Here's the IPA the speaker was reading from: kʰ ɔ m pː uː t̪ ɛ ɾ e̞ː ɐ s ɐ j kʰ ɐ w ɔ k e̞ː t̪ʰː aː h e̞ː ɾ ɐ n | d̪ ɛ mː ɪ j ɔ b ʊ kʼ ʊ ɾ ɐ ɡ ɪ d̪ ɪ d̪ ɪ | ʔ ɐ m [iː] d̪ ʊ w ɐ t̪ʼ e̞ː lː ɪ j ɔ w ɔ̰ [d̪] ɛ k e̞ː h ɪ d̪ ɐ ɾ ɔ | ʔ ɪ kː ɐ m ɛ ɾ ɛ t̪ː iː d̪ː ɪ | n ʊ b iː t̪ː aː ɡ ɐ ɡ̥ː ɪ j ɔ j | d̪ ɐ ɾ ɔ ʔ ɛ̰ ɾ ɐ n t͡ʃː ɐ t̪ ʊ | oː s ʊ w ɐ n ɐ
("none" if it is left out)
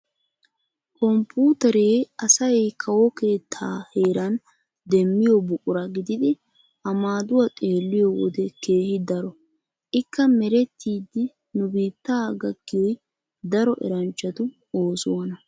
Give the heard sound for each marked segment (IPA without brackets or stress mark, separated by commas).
aː, d̪